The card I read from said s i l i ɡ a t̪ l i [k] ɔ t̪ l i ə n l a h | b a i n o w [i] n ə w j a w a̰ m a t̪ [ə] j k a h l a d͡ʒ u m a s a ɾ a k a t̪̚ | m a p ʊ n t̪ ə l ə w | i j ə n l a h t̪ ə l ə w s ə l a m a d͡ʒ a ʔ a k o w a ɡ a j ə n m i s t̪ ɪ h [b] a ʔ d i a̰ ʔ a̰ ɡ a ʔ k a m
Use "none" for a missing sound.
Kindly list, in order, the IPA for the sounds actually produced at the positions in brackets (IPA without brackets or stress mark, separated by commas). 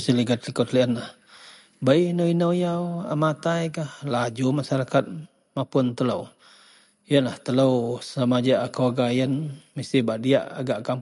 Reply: k, i, a, b